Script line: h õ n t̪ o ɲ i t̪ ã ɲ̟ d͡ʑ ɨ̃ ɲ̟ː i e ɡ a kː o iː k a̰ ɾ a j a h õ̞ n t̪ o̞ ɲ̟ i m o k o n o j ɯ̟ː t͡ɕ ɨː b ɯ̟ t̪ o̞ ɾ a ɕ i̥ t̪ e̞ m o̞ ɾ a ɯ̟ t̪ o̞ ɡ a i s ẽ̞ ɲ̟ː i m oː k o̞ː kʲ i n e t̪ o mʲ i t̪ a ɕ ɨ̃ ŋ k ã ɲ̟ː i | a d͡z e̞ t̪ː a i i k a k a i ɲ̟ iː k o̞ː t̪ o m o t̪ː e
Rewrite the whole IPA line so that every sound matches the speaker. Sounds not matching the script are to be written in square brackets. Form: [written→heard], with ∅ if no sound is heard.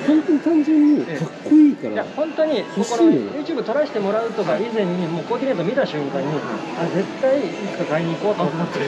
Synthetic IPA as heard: h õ n t̪ o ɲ i t̪ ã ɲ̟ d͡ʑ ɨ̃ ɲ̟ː i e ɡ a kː o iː k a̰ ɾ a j a h õ̞ n t̪ o̞ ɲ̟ i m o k o n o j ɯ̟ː t͡ɕ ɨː b ɯ̟ t̪ o̞ ɾ a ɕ i̥ t̪ e̞ m o̞ ɾ a ɯ̟ t̪ o̞ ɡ a i [s→z] ẽ̞ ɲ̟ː i m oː k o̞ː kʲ i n e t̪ o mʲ i t̪ a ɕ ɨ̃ ŋ k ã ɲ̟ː i | a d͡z e̞ t̪ː a i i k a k a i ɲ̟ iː k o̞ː t̪ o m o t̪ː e